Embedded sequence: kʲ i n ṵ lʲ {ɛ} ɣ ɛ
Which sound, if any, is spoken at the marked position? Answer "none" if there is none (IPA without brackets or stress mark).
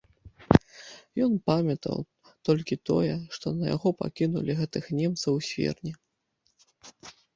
i